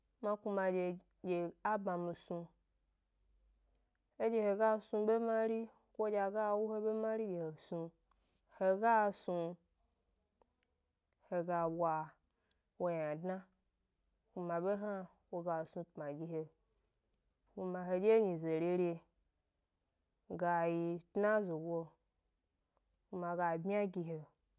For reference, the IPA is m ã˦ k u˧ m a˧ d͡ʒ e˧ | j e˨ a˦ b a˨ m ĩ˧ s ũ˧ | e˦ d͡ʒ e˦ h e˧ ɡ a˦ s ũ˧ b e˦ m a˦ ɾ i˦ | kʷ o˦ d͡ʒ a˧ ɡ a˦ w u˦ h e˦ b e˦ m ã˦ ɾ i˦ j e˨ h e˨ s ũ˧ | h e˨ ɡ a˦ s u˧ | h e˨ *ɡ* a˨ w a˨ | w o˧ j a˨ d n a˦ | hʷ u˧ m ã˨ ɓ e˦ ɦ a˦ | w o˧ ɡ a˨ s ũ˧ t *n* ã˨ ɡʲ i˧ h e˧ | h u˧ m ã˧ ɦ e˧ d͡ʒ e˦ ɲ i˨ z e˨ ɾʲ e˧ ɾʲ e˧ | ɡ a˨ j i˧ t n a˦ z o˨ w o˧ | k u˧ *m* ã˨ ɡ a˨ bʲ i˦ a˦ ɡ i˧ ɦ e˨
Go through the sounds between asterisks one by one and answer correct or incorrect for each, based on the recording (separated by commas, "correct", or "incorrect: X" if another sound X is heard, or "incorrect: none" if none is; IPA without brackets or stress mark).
correct, incorrect: m, correct